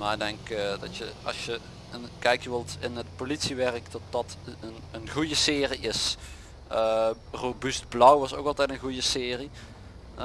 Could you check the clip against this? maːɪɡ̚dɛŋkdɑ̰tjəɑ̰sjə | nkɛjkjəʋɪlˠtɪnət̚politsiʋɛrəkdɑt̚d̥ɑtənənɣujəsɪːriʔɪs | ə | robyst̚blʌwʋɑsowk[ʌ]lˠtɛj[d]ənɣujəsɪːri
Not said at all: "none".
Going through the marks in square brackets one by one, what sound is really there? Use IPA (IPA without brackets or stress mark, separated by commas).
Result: ɑ, t